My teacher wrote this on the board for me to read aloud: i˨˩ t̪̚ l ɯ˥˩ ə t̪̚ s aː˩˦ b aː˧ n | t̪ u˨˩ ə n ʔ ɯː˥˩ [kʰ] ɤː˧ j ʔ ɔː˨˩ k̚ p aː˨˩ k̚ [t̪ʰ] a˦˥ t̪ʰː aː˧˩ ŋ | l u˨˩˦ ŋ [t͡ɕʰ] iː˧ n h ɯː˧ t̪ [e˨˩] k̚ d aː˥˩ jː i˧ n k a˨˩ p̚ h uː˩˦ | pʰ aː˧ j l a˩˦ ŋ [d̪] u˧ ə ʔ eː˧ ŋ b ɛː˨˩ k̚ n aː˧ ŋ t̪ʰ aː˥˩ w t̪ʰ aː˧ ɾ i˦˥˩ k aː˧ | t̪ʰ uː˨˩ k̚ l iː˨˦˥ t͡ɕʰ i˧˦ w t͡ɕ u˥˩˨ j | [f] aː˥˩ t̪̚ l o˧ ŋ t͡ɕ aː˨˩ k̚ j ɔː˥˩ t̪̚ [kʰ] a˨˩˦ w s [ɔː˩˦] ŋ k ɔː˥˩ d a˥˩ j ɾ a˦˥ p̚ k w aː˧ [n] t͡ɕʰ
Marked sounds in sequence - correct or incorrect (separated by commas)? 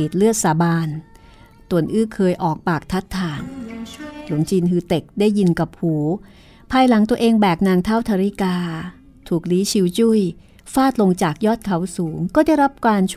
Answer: correct, correct, incorrect, correct, incorrect, correct, correct, incorrect, correct